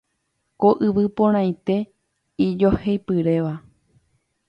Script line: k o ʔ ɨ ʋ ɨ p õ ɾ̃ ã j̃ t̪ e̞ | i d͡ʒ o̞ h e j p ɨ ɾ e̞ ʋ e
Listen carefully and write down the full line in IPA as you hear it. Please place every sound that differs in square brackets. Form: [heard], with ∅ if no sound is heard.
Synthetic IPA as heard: k o ʔ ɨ ʋ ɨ p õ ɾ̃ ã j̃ t̪ e̞ | i d͡ʒ o̞ h e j p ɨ ɾ e̞ ʋ [a]